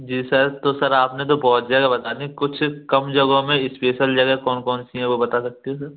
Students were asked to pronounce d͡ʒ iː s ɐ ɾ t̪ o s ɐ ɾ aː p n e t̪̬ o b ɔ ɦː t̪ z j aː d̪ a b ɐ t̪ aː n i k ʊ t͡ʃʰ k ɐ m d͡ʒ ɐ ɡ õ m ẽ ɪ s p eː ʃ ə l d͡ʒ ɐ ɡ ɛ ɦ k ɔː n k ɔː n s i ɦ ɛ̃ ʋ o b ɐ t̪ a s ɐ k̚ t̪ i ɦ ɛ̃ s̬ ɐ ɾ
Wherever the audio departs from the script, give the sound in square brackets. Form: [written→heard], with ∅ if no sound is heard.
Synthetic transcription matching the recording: d͡ʒ iː s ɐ ɾ t̪ o s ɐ ɾ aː p n e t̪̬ o b ɔ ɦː t̪ z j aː d̪ a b ɐ t̪ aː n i k ʊ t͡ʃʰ k ɐ m d͡ʒ ɐ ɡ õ m ẽ ɪ s p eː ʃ ə l d͡ʒ ɐ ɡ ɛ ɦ k ɔː n k ɔː n s i ɦ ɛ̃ ʋ o b ɐ t̪ a s ɐ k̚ t̪ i ɦ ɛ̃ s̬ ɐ ɾ